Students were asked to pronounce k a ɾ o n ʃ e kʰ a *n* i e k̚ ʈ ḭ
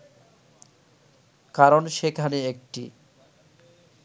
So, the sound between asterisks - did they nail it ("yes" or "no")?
yes